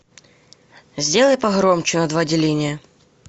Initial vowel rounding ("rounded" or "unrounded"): unrounded